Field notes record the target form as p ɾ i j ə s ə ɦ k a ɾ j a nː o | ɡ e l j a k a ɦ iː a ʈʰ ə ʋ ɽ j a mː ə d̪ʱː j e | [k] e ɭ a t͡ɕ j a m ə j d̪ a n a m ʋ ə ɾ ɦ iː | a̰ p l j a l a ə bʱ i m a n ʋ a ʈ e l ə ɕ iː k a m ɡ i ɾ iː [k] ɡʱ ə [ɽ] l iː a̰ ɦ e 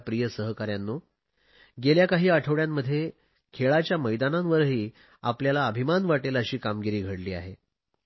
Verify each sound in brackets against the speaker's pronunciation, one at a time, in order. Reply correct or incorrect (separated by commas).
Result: incorrect, incorrect, correct